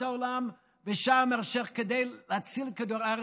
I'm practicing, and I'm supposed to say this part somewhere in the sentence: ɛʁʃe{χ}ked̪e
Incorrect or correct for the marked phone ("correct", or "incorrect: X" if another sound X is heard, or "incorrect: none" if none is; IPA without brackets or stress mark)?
correct